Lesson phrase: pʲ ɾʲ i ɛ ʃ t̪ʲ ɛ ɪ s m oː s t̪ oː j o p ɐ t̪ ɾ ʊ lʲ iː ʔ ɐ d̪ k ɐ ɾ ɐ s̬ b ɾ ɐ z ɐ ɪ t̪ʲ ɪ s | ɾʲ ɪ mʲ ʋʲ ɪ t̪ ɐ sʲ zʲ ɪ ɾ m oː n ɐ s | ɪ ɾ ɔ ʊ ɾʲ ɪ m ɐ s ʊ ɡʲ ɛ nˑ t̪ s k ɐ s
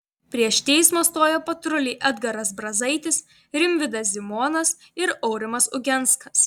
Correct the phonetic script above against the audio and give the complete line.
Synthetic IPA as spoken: pʲ ɾʲ i ɛ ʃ t̪ʲ ɛ ɪ s m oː s t̪ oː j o p ɐ t̪ ɾ ʊ lʲ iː ʔ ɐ d̪ ɡ ɐ ɾ ɐ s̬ b ɾ ɐ z ɐ ɪ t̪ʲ ɪ s | ɾʲ ɪ mʲ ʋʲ ɪ d̪ ɐ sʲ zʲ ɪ m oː n ɐ s | ɪ ɾ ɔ ʊ ɾʲ ɪ m ɐ s ʊ ɡʲ ɛ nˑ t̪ s k ɐ s